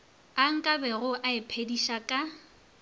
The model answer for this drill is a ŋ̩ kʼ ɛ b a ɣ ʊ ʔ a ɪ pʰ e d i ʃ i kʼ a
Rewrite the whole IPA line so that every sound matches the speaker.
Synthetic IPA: a ŋ̩ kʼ a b ɛ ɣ ʊ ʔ a ɪ pʰ e d i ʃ a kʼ a

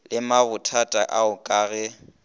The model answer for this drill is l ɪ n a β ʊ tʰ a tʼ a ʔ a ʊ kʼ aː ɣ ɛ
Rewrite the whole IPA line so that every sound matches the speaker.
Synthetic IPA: l ɪ m a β ʊ tʰ a tʼ a ʔ a ʊ kʼ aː ɣ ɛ

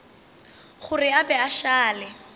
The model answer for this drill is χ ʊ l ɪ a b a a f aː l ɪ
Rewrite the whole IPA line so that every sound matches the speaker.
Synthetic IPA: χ ʊ r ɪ a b ɛ a ʃ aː l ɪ

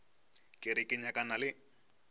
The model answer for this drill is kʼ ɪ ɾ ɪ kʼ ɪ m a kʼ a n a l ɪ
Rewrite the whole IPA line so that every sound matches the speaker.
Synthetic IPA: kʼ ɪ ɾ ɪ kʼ ɪ ɲ a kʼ a n a l ɪ

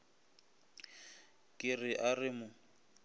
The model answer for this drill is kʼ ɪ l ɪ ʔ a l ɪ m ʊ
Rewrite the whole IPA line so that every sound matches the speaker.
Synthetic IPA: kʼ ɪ r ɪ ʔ a r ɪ m ʊ

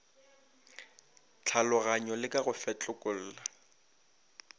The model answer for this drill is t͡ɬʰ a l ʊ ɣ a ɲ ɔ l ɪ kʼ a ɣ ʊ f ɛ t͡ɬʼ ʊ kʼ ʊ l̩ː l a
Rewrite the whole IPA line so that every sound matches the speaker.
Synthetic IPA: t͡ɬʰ a l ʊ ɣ a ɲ ɔ l ɪ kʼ a ɣ ʊ f ɛ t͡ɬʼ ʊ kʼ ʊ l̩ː l a

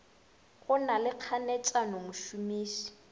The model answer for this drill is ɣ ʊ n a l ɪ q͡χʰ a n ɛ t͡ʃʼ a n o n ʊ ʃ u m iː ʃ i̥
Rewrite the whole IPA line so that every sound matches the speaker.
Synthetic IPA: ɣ ʊ n a l ɪ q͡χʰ a n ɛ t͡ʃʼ a n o m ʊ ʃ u m iː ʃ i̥

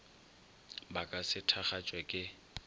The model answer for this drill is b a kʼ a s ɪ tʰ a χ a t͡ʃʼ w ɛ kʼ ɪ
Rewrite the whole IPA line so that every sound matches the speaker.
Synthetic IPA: b a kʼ a s ɪ tʰ a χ a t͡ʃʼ w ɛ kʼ ɪ

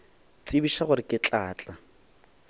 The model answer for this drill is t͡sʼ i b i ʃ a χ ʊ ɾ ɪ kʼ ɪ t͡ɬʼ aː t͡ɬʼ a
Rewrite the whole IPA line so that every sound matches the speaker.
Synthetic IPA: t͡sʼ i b i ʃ a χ ʊ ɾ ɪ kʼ ɪ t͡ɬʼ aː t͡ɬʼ a

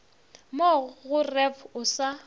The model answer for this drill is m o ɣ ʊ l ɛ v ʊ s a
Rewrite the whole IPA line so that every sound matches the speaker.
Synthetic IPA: m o ɣ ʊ r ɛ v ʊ s a

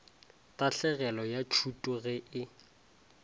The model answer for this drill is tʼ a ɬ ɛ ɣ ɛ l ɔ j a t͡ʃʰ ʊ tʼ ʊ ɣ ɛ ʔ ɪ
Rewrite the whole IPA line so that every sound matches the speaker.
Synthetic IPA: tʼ a ɬ ɛ ɣ ɛ l ɔ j a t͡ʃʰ u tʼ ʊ ɣ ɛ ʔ ɪ

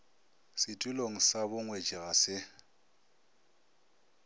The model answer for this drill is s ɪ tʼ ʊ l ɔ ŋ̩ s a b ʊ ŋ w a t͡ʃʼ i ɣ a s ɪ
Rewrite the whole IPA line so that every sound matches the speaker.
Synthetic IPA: s ɪ tʼ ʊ l o ŋ̩ s a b ʊ ŋ w e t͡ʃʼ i ɣ a s ɪ

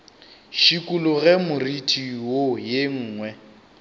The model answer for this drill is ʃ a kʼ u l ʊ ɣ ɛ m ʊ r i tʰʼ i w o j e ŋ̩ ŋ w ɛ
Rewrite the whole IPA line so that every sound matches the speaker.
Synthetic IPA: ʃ i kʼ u l ʊ ɣ ɛ m ʊ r i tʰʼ i w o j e ŋ̩ː ŋ w ɛ

